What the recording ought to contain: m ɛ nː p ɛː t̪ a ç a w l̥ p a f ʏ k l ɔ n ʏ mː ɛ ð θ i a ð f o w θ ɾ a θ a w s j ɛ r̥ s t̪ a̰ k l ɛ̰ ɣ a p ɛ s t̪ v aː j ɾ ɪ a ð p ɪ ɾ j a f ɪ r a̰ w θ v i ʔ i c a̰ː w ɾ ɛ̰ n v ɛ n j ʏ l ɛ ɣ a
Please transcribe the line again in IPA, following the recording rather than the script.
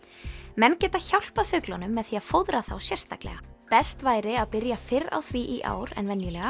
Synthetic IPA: m ɛ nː c ɛː t̪ a ç a w l̥ p a f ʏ k l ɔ n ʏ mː ɛ ð θ i a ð f o w ð ɾ a θ a w s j ɛ r̥ s t̪ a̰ k l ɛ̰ ɣ a p ɛ s t̪ v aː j ɾ ɪ a ð p ɪ ɾ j a f ɪ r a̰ w θ v i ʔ i ʔ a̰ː w ɾ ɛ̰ n v ɛ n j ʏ l ɛ ɣ a